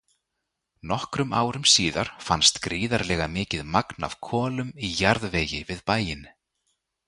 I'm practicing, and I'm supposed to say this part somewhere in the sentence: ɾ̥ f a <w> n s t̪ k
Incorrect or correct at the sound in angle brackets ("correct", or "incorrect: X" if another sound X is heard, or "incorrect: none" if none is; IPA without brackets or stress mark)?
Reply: incorrect: none